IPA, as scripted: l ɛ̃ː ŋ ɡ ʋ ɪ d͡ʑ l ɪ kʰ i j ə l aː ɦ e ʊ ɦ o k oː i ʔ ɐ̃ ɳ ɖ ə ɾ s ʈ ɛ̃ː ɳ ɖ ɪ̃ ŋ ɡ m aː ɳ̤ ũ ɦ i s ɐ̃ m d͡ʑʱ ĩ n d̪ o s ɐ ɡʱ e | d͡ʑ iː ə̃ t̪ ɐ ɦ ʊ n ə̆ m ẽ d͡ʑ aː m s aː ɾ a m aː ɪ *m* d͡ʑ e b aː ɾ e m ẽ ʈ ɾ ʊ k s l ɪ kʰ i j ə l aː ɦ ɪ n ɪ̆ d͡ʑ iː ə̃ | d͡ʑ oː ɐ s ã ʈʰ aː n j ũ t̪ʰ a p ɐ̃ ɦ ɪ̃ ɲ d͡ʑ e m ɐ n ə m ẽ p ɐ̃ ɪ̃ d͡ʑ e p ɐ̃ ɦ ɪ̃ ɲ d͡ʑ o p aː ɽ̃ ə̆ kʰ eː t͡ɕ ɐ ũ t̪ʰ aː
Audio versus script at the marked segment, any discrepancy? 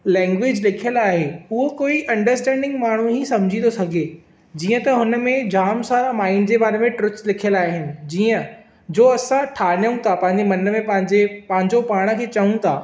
yes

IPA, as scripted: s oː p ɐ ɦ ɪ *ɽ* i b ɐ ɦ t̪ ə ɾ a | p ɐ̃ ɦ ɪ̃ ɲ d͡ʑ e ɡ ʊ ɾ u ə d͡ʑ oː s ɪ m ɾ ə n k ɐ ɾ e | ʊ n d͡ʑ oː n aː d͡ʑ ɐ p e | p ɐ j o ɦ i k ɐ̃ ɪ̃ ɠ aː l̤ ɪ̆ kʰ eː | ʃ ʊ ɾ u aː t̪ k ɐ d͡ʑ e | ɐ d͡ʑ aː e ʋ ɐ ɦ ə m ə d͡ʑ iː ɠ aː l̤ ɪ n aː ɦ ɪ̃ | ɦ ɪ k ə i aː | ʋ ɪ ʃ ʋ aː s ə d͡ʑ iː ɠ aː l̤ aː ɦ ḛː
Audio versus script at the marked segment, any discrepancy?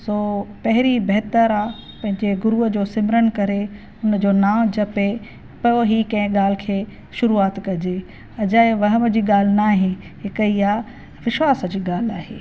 yes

